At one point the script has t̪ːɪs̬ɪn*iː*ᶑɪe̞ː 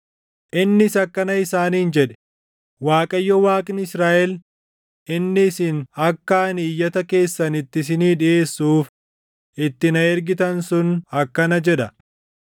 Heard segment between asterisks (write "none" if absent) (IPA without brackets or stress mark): iː